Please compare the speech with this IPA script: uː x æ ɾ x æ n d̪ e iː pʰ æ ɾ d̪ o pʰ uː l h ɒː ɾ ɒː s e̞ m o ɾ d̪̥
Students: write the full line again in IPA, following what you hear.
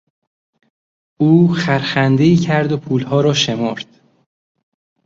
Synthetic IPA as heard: uː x æ ɾ x æ n d̪ e iː cʰ æ ɾ d̪ o pʰ uː l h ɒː ɾ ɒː ʃ e̞ m o ɾ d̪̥